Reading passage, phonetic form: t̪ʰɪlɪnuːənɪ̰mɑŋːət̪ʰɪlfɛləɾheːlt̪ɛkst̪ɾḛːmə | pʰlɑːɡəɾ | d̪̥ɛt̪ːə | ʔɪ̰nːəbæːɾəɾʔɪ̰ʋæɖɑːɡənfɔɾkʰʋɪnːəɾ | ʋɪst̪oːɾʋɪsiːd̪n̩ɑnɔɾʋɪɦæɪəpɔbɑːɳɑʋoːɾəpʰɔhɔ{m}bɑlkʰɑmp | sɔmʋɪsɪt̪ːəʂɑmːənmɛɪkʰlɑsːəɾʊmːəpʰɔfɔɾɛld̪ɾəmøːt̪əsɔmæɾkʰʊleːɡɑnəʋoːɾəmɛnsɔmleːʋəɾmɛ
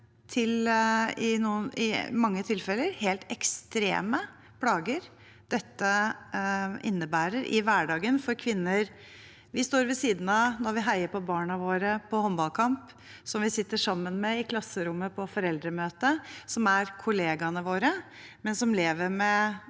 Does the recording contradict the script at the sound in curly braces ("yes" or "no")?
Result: no